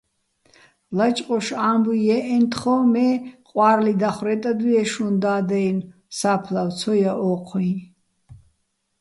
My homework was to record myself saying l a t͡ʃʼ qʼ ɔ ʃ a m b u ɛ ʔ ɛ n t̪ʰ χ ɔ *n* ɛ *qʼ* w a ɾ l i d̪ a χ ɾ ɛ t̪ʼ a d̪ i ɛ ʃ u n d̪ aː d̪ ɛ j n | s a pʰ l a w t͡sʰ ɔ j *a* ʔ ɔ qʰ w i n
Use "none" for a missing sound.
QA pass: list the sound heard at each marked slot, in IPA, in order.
m, qʼ, a

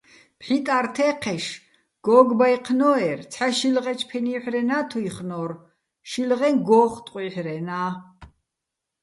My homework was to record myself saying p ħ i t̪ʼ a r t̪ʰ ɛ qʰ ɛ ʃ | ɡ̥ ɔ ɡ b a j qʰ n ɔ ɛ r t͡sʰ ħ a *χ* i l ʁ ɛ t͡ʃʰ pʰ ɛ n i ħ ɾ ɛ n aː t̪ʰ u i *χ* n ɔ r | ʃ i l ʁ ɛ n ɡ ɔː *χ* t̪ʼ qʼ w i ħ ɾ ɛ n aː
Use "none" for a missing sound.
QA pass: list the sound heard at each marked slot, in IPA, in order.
ʃ, χ, χ

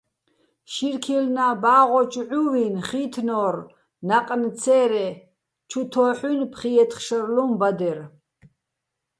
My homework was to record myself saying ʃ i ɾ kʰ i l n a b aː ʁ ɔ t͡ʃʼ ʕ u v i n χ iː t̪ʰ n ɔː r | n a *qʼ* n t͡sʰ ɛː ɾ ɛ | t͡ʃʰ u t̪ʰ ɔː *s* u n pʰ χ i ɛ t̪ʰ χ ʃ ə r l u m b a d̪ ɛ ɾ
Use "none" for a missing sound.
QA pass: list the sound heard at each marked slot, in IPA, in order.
qʼ, ħ

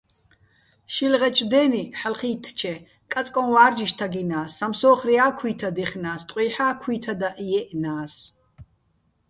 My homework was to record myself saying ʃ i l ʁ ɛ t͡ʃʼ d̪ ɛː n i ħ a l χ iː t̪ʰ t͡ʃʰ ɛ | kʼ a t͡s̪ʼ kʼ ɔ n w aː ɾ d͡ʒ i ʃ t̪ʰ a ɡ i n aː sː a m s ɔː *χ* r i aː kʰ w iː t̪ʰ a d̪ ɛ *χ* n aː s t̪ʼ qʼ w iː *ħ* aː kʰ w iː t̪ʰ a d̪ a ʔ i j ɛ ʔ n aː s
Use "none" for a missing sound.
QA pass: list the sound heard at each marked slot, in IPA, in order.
χ, χ, ħ

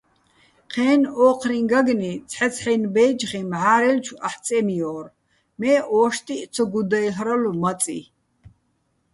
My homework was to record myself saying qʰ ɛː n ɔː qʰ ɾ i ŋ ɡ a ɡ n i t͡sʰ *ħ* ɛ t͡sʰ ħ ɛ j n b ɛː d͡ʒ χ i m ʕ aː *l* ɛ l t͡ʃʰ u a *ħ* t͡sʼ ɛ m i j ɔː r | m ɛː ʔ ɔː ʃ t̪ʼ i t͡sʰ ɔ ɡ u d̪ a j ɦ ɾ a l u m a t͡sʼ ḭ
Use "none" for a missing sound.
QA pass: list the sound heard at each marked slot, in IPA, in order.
ħ, ɾ, ħ

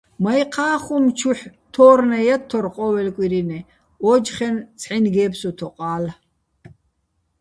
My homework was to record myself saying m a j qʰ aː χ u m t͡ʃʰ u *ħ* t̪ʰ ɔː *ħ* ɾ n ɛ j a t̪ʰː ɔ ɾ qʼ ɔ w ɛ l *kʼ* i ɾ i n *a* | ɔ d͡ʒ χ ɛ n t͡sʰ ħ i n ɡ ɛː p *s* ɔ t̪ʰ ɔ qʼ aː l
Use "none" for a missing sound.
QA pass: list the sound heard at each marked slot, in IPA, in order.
ħ, none, kʼ, ɛ, s

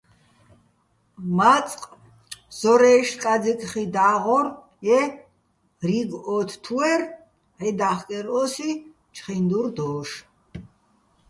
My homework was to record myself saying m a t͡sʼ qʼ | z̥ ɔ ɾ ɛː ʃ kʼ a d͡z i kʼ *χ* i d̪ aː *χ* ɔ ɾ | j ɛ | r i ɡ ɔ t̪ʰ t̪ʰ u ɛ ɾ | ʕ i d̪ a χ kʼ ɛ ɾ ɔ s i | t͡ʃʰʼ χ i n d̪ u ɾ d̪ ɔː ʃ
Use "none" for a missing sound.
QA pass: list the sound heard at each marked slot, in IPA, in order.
χ, ʁ

